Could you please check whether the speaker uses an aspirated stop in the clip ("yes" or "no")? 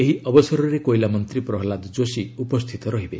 yes